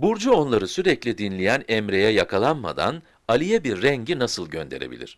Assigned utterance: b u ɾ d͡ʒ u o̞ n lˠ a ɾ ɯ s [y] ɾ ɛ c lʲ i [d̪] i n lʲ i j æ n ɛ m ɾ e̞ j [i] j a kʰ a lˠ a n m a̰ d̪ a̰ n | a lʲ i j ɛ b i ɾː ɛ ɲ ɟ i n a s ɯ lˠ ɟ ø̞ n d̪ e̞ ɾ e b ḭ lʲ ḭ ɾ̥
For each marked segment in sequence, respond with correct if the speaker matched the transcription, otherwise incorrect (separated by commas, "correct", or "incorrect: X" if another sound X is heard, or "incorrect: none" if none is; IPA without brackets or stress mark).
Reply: correct, correct, incorrect: ɛ